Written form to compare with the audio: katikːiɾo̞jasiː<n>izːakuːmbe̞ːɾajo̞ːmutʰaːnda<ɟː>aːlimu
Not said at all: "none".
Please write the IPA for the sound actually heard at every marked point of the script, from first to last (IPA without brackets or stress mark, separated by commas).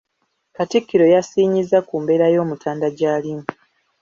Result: ɲ, ɟ